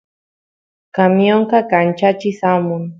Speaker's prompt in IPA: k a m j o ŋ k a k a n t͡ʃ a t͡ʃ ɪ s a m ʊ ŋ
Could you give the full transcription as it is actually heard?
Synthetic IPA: k a m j o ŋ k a k a n t͡ʃ a t͡ʃ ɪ s a m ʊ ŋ